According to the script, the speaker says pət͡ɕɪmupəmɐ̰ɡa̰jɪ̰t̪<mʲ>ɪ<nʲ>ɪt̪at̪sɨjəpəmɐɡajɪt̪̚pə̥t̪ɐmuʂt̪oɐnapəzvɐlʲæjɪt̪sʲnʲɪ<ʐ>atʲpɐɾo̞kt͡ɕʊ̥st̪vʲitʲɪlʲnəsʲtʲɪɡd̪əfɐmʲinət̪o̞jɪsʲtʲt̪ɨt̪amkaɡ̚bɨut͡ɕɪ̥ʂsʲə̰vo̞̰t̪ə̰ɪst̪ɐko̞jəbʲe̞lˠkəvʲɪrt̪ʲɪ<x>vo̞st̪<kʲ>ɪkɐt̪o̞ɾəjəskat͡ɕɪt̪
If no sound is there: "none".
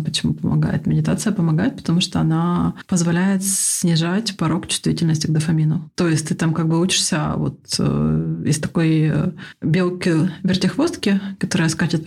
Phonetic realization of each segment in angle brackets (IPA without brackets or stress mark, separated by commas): mʲ, dʲ, ʐ, x, kʲ